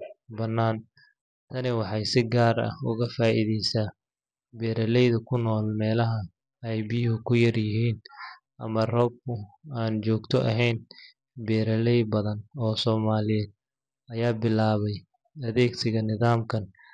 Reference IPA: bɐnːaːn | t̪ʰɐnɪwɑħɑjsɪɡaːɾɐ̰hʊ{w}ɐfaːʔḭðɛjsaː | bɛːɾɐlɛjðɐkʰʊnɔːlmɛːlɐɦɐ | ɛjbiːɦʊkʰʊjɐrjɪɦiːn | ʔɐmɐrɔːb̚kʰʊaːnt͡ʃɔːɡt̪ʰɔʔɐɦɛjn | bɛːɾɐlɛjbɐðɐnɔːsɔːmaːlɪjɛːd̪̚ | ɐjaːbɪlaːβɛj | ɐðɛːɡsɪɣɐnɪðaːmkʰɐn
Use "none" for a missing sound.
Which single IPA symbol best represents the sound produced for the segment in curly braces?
ɣ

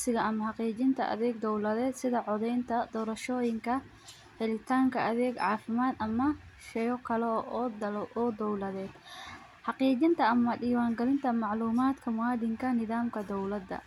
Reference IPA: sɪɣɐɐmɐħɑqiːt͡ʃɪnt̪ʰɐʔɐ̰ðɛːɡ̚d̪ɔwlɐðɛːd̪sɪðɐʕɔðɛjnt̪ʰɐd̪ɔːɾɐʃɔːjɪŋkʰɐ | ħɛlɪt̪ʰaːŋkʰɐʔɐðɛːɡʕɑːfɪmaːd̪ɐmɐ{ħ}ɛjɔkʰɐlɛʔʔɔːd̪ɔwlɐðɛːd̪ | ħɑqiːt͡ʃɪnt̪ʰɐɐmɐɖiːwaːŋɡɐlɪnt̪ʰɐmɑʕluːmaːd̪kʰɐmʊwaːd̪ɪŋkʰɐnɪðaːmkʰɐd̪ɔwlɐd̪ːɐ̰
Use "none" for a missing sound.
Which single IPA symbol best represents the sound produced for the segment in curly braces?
ʃ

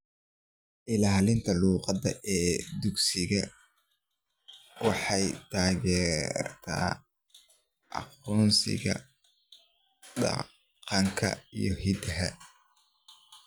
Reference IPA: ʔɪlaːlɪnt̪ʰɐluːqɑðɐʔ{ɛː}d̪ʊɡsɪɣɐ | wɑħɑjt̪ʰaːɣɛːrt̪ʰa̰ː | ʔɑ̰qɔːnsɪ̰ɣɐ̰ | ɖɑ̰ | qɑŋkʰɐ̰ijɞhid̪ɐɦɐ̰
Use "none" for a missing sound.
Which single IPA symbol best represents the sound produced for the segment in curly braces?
ɛː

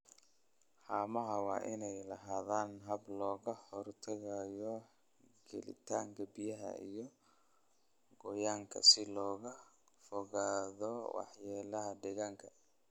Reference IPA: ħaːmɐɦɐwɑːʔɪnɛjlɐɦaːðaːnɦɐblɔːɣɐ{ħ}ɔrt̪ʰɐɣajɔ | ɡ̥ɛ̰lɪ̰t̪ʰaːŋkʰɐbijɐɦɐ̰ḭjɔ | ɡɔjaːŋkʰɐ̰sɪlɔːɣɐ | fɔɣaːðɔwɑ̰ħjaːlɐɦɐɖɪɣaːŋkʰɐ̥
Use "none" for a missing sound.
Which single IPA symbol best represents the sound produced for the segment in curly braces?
h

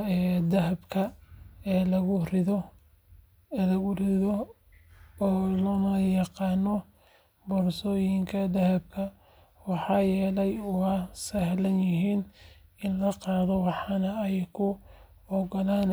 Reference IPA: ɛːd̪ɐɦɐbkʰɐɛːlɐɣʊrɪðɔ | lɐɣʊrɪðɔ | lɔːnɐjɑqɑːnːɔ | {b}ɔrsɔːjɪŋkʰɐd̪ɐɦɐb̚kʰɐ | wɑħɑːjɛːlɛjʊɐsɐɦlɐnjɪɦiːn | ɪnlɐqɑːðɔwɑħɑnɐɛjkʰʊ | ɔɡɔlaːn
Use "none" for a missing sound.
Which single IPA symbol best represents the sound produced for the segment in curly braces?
b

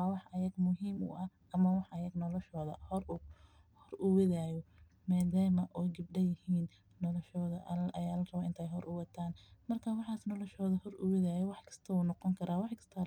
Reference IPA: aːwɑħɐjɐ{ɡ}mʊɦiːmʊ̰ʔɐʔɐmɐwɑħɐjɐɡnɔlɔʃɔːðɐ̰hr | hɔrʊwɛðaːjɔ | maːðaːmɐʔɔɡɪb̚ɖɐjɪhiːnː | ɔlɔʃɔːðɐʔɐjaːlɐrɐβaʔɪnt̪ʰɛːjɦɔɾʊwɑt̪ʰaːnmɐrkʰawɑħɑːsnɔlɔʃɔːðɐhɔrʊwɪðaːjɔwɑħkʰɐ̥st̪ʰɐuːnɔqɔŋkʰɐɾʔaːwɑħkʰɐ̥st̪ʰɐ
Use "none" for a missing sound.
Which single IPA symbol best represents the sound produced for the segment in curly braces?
ɡ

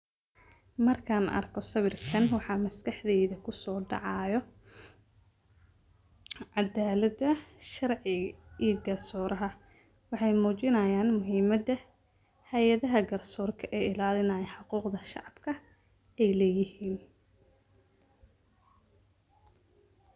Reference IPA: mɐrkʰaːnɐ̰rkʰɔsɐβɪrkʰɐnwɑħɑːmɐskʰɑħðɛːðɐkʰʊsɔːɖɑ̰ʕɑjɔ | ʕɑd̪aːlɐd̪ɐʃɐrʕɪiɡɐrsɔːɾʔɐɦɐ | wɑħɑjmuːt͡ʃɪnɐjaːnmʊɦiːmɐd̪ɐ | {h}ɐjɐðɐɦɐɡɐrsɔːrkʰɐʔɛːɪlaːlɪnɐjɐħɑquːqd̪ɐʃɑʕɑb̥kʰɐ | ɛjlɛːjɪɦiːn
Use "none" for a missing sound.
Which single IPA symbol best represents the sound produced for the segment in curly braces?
h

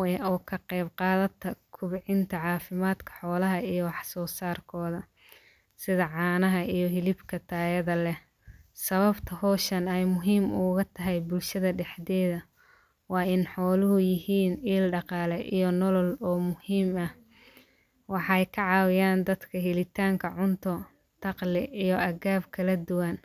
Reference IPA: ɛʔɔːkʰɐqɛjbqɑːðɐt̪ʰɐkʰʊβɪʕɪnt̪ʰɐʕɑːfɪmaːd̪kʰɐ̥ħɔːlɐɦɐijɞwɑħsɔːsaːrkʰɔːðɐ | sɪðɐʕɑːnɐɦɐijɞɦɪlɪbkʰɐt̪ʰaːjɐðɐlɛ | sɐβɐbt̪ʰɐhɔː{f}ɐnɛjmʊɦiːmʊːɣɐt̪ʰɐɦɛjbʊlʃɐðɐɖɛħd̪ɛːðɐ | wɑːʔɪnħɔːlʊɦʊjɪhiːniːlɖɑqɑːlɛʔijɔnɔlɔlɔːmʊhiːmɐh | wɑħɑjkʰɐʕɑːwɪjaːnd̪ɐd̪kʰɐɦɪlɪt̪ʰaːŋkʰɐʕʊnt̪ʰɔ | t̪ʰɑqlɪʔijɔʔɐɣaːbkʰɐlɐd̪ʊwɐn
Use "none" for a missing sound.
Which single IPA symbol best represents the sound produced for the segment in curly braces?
ʃ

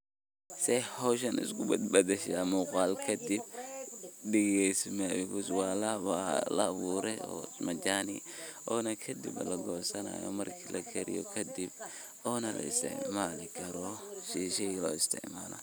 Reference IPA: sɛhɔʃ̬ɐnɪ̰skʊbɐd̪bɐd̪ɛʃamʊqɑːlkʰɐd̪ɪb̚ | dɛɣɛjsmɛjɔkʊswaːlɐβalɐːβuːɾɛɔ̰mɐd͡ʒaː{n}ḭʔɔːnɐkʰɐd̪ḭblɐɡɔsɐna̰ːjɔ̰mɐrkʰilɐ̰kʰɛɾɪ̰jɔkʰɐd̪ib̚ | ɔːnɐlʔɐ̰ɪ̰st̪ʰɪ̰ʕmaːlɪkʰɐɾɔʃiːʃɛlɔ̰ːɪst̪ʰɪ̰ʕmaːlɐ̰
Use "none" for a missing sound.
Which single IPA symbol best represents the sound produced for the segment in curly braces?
n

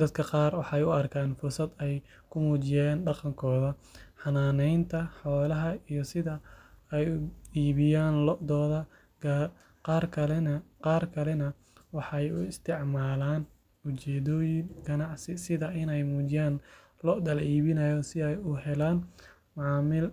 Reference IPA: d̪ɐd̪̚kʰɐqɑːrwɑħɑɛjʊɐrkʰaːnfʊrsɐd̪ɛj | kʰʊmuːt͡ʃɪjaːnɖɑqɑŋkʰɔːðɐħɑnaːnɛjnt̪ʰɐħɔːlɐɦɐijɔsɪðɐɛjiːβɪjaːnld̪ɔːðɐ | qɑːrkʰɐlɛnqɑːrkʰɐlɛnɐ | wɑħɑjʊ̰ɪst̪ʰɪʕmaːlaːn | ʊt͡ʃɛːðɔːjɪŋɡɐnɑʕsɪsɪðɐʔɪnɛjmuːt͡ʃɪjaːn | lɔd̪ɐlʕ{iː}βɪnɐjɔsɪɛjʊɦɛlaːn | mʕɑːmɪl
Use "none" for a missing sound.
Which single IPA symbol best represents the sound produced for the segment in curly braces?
iː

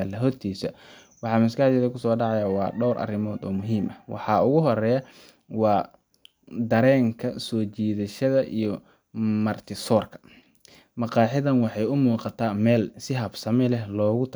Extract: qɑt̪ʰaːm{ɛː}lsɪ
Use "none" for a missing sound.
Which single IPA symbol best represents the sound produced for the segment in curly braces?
ɛː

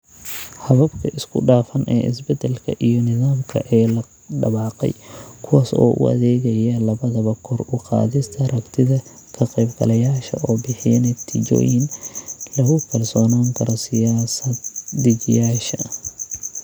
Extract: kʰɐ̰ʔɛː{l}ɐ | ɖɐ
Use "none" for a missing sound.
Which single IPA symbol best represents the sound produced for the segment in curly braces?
l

